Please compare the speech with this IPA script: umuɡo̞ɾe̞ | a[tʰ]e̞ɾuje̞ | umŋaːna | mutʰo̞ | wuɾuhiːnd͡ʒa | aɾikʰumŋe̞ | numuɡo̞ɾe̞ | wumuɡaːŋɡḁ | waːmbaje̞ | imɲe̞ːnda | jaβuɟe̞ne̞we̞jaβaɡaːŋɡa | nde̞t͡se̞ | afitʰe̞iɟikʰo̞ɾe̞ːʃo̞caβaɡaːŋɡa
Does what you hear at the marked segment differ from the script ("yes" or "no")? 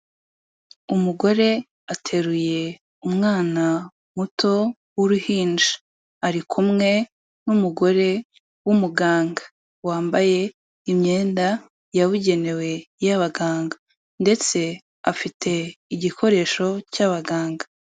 no